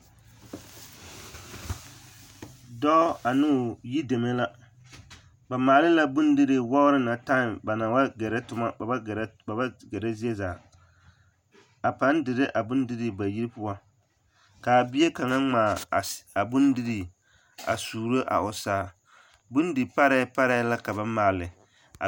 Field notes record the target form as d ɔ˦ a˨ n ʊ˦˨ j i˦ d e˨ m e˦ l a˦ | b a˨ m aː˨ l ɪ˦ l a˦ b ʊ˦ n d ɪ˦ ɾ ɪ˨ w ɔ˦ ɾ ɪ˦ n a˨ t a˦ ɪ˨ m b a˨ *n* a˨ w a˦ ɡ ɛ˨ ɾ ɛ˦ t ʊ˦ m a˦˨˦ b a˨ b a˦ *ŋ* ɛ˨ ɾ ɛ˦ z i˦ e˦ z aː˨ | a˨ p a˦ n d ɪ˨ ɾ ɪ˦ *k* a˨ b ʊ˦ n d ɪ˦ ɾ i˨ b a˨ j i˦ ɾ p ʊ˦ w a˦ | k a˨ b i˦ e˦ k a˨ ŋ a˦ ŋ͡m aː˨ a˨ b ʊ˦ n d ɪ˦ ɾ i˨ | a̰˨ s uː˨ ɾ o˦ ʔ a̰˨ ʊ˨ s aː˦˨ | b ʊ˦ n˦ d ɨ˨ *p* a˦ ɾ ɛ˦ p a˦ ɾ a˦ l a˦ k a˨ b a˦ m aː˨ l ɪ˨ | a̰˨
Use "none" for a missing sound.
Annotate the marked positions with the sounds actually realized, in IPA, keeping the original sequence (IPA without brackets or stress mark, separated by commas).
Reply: n, ɡ, ʔ, p